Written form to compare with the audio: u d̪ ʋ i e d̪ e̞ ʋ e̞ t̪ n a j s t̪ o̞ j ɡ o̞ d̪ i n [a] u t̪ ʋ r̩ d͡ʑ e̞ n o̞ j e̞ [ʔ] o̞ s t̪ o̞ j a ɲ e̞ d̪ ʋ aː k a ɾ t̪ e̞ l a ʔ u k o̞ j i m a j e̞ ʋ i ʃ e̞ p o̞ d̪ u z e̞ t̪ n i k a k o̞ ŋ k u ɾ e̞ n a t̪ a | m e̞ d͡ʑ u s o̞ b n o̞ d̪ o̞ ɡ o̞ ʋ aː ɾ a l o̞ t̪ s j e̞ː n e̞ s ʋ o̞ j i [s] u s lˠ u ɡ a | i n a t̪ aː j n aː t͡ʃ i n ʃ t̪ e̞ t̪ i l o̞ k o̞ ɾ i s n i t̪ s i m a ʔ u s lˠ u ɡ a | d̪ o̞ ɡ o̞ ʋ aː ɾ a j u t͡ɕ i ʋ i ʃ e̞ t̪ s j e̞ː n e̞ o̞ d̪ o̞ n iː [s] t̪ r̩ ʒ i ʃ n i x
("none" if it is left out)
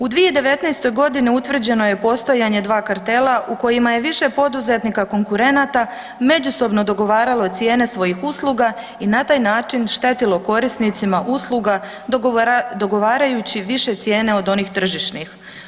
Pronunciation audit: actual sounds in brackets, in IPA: i, p, x, x

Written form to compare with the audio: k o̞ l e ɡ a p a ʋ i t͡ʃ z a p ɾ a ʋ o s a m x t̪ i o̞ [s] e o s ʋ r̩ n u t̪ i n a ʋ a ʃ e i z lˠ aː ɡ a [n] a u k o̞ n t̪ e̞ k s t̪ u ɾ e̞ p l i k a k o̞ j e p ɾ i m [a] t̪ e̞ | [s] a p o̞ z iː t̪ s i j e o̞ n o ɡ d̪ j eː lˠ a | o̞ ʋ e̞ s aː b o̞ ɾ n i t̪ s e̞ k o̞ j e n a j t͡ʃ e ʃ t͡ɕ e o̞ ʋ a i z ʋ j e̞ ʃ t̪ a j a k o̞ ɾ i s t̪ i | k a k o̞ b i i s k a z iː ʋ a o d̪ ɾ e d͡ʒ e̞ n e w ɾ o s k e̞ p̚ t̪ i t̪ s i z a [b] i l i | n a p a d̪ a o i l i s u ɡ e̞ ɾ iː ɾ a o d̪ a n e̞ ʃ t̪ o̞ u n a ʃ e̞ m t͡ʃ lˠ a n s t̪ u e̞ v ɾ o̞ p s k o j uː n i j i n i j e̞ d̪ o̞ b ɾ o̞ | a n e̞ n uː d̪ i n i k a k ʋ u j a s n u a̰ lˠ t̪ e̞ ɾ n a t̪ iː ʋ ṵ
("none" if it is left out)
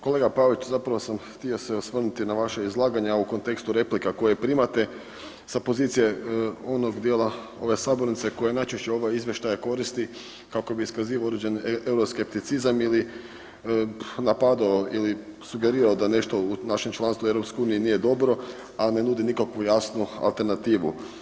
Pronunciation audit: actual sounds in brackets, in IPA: s, ɲ, a, s, m

